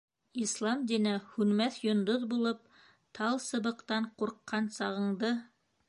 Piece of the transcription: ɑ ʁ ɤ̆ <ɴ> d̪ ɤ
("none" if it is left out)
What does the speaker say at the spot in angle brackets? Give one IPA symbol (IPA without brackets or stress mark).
ɴ